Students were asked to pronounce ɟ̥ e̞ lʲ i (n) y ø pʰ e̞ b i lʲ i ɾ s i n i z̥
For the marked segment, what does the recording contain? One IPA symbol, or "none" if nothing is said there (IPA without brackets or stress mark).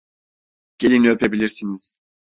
n